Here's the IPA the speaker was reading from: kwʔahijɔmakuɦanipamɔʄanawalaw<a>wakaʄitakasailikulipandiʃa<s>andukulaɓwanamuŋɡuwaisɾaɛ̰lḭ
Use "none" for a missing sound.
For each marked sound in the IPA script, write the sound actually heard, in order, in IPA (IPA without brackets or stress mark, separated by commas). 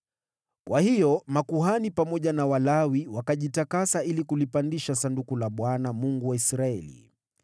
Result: i, s